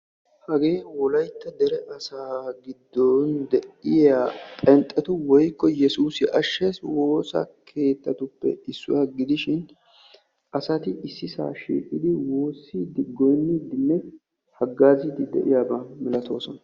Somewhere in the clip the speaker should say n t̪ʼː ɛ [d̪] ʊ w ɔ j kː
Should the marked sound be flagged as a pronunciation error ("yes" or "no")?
yes